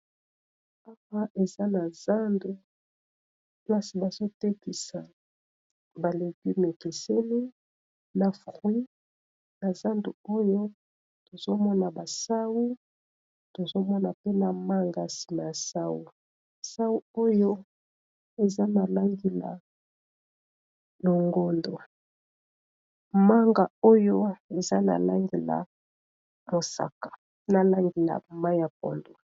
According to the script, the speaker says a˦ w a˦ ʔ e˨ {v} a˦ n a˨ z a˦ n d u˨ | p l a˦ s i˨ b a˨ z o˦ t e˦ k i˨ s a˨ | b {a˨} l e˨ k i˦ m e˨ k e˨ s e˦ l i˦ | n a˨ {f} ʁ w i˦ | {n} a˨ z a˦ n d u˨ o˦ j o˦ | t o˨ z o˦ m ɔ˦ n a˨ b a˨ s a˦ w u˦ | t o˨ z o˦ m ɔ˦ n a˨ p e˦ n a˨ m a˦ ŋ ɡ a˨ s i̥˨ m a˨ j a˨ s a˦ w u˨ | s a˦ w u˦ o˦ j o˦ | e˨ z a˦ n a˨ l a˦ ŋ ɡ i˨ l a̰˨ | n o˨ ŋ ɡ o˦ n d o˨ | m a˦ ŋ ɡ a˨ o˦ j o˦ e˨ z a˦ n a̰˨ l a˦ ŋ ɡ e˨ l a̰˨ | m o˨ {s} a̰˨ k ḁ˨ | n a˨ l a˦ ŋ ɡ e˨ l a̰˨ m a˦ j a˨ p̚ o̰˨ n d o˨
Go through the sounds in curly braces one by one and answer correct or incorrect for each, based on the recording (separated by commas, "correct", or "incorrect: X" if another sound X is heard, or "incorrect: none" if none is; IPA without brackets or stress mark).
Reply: incorrect: z, correct, correct, correct, correct